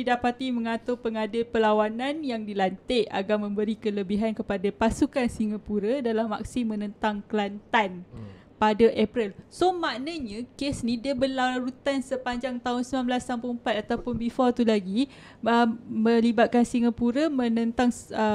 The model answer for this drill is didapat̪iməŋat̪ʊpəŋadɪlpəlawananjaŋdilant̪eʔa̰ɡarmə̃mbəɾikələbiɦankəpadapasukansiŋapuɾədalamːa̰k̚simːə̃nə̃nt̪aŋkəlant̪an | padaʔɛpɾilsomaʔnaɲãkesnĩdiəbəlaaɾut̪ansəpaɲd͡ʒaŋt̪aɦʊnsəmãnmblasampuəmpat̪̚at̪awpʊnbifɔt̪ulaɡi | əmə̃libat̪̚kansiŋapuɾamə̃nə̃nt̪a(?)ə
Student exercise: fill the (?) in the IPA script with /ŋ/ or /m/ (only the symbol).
ŋ